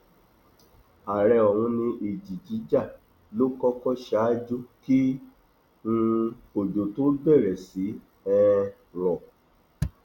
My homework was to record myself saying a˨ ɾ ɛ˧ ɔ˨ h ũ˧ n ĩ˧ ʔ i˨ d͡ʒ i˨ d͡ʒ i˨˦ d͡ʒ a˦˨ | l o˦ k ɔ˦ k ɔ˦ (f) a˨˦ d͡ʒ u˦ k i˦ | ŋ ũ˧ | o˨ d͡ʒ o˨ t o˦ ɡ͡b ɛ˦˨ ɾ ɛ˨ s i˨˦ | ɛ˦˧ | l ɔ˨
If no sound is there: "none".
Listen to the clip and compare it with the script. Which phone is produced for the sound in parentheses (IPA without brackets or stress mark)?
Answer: ʃ